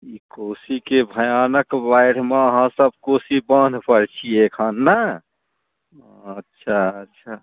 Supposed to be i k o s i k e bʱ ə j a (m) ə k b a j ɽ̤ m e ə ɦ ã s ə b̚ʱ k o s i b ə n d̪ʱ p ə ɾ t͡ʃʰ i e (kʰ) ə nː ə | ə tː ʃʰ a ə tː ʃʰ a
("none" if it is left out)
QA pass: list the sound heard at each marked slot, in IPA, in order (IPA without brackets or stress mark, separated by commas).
n, kʰ